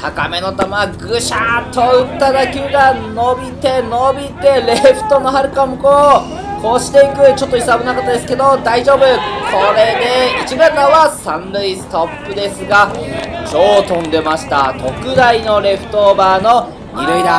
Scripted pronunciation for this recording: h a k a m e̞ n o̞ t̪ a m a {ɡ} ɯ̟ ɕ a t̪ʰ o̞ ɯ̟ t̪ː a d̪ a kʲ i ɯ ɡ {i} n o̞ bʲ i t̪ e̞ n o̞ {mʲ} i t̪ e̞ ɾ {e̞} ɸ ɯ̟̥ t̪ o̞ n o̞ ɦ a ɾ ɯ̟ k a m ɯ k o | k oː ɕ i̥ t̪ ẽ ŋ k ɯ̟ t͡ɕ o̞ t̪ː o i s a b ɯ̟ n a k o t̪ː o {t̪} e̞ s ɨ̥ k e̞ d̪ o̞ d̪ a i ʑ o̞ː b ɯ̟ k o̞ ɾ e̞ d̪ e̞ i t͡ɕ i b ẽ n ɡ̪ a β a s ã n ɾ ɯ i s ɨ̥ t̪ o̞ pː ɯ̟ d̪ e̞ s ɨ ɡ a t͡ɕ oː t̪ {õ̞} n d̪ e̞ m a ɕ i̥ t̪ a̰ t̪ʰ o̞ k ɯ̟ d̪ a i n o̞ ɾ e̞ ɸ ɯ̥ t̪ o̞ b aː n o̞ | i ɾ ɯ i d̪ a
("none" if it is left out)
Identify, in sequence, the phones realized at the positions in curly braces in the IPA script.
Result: ɡ, a, bʲ, e̞, d̪, õ̞

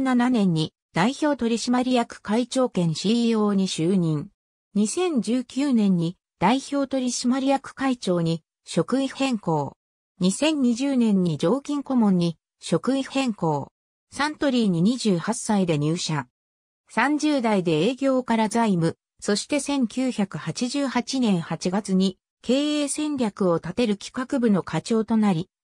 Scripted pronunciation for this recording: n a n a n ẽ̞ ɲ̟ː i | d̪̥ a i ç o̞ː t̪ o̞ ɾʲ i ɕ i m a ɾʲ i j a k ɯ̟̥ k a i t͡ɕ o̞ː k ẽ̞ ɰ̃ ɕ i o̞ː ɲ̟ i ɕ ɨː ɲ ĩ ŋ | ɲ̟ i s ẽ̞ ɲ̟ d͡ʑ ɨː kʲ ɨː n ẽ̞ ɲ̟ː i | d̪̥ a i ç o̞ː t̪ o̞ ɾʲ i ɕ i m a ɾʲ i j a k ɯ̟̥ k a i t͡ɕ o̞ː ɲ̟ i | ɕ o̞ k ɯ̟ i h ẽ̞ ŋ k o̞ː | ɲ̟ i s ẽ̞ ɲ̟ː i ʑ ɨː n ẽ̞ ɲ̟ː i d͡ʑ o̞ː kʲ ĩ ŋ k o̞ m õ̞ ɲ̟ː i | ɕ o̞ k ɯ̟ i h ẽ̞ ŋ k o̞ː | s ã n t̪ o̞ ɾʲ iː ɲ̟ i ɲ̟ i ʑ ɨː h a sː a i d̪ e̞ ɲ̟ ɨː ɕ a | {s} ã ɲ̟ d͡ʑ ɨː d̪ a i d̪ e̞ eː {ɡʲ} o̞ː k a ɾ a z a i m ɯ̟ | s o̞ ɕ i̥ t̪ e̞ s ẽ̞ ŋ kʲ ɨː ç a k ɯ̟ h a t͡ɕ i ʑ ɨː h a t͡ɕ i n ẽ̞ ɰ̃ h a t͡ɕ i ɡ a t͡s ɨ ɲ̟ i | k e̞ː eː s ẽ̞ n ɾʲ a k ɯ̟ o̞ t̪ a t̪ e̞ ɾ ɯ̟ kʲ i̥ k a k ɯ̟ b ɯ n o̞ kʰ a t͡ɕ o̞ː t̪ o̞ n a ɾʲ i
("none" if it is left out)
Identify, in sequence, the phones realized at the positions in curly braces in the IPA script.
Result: s, ɡʲ

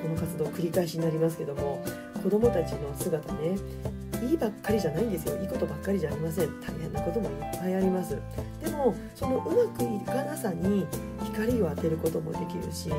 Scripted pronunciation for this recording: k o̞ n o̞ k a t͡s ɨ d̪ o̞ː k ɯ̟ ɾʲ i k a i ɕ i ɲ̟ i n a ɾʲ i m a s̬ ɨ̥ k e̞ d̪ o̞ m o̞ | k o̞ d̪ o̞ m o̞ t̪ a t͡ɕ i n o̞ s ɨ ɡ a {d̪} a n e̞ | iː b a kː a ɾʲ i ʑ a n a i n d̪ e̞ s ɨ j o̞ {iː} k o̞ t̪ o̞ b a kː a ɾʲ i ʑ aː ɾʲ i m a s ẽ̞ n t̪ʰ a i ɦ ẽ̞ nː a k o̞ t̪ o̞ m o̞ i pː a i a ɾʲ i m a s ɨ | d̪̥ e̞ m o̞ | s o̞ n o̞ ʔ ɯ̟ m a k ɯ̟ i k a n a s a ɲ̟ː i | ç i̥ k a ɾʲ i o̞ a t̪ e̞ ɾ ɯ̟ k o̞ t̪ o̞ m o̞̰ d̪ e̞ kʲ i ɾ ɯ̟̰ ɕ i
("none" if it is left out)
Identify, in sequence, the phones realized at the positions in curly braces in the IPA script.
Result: t̪, iː

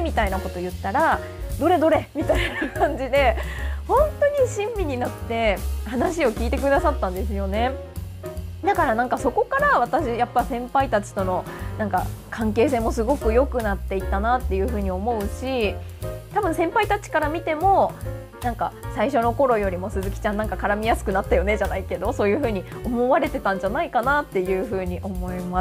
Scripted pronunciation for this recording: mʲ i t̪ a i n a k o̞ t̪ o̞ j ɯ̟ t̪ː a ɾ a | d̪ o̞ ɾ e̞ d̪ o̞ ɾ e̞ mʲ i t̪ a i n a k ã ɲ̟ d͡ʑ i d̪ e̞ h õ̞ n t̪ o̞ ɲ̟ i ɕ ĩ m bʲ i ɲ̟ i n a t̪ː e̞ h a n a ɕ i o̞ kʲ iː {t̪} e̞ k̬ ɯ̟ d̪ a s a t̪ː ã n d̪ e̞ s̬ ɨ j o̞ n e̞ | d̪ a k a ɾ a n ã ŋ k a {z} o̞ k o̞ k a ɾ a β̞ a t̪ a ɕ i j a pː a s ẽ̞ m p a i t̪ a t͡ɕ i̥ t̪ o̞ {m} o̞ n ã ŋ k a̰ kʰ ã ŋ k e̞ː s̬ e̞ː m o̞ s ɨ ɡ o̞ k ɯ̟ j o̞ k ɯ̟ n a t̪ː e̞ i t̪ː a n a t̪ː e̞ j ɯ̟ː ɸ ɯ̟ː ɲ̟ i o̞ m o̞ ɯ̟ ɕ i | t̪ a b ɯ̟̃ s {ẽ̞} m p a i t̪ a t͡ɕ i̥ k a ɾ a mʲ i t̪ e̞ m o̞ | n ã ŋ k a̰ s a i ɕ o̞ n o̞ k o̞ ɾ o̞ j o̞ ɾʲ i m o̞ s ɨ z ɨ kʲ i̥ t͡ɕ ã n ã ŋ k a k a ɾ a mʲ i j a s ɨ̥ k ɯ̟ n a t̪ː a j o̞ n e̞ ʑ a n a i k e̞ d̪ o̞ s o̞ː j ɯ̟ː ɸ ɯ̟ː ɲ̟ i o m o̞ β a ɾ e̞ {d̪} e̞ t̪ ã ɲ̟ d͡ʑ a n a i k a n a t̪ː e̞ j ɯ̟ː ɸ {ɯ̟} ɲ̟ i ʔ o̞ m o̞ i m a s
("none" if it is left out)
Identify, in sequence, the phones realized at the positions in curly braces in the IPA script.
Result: t̪, s, n, ẽ̞, t̪, ɯ̟ː

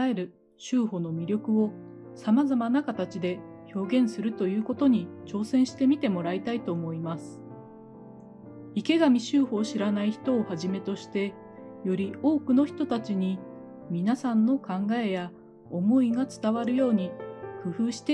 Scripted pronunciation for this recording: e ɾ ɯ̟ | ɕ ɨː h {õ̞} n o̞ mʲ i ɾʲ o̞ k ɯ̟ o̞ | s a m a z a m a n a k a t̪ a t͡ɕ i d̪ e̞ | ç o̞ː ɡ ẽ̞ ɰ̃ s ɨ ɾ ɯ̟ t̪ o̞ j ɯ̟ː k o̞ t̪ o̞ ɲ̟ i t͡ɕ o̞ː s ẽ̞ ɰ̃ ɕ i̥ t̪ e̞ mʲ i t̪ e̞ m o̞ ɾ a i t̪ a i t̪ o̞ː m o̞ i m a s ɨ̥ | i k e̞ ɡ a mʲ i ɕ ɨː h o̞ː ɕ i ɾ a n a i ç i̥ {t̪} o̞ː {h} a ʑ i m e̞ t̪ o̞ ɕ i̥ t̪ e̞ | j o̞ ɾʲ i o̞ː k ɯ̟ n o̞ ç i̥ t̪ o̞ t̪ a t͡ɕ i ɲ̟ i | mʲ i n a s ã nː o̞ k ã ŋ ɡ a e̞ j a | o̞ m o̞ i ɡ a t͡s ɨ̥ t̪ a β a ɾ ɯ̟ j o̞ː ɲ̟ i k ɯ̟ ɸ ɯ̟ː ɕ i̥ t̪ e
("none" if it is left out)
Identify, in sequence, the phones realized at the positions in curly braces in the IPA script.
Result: o̞, t̪, h

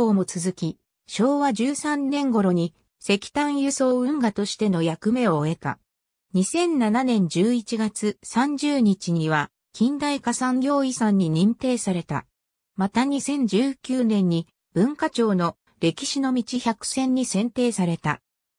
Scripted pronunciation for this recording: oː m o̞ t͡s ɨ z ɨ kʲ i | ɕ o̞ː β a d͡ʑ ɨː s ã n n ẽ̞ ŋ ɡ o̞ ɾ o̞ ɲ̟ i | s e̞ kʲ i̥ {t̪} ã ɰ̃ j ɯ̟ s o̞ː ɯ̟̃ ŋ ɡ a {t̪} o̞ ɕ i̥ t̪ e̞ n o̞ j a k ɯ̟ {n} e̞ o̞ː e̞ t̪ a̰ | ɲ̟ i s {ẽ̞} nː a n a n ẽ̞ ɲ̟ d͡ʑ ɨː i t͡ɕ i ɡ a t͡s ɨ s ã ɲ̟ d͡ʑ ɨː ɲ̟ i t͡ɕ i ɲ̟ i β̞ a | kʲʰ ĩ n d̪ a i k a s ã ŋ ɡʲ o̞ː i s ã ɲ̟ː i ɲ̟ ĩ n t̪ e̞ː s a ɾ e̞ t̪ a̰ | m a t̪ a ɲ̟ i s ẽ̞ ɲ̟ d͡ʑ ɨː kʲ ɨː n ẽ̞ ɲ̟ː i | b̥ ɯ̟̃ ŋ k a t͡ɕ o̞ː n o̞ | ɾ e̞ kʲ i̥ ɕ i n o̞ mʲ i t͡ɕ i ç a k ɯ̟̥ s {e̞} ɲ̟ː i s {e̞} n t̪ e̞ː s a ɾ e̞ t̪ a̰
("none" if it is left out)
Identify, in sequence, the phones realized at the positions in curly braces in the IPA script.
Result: t̪, t̪, m, ẽ̞, ẽ̞, ẽ̞

